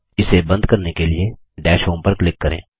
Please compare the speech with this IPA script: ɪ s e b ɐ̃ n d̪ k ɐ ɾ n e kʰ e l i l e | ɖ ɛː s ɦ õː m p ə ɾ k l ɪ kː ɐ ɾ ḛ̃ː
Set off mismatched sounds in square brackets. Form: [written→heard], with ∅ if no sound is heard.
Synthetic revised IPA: ɪ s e b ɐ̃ n d̪ k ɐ ɾ n e [kʰ→k] e l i [l→∅] e | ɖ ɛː [s→ʃ] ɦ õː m p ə ɾ k l ɪ kː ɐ ɾ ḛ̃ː